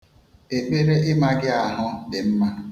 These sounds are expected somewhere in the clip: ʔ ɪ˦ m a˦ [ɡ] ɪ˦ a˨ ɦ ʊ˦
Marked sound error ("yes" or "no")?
no